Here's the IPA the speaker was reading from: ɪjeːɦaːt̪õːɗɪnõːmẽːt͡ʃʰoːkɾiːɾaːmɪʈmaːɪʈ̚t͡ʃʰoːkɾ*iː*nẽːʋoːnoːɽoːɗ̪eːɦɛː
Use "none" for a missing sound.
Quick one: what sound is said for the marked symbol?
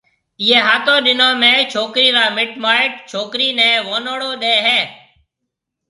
iː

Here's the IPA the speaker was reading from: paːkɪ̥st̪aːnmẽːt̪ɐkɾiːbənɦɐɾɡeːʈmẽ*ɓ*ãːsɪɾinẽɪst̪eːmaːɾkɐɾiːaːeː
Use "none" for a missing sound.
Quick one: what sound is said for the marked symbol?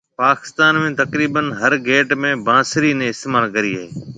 b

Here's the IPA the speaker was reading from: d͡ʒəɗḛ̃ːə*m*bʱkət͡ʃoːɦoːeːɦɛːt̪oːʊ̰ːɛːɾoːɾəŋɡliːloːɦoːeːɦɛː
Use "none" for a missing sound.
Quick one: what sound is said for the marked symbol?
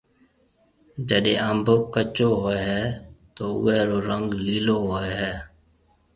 m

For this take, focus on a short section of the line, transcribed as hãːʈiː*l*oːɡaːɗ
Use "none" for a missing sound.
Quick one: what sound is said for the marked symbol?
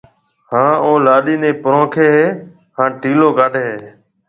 l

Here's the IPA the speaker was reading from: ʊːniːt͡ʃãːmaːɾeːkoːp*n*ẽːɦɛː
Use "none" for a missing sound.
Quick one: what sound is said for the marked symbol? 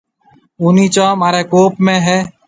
m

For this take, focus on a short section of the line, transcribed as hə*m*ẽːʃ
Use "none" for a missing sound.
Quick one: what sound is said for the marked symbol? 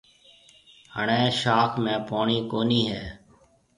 ɳ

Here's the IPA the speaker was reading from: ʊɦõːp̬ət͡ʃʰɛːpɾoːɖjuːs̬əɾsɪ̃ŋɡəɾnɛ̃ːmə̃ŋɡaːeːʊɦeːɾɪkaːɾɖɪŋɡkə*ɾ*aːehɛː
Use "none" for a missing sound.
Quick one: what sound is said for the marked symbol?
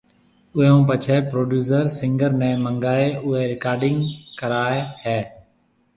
ɾ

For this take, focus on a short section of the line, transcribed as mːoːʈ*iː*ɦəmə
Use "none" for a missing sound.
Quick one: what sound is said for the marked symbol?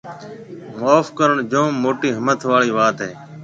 iː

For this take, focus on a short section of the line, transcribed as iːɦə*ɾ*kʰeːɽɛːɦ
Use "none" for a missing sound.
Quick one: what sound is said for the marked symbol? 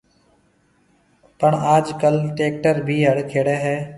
ɽ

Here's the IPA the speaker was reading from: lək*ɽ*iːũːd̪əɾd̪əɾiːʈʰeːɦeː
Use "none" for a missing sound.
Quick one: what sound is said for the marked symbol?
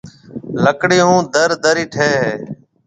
ɽ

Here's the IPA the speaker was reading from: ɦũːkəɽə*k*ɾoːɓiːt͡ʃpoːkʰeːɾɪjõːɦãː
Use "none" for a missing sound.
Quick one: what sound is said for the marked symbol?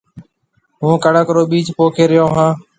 k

